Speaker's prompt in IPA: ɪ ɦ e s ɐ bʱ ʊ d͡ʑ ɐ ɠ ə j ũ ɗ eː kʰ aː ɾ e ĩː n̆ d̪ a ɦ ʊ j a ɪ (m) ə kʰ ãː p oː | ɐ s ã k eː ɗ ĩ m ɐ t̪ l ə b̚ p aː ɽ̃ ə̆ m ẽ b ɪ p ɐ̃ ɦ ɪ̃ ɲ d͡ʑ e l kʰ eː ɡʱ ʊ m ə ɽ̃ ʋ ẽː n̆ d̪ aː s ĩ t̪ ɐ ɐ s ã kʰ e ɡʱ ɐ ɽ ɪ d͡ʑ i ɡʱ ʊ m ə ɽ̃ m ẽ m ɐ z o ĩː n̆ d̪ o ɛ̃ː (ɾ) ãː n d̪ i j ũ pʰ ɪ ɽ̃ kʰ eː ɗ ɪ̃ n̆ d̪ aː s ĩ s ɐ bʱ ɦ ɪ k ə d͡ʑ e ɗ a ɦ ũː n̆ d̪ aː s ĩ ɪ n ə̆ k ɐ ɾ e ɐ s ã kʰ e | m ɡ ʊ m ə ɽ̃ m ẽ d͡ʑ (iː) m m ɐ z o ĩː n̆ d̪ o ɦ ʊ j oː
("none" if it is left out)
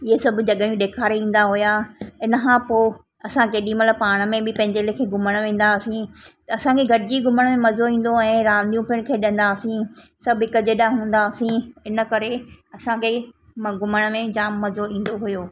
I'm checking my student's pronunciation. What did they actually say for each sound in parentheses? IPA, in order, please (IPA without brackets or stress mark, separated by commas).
n, ɾ, aː